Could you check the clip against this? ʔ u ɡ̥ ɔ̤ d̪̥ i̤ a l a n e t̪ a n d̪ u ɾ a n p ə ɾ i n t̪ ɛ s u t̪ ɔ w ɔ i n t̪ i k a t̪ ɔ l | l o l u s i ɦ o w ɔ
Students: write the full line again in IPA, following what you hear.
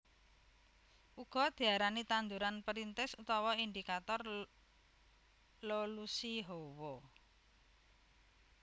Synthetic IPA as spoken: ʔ u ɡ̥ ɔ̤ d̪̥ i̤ a ɾ a n i t̪ a n d̪ u ɾ a n p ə ɾ i n t̪ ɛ s u t̪ ɔ w ɔ i n d̪ i k a t̪ ɔ r | l o l u s i ɦ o w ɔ